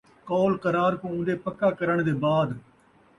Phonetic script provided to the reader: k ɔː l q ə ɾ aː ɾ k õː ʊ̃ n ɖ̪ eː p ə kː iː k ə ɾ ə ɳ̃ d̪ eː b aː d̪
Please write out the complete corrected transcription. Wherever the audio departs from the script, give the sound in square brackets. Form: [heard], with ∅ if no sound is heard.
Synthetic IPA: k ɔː l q ə ɾ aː ɾ k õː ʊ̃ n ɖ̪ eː p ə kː [aː] k ə ɾ ə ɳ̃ d̪ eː b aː d̪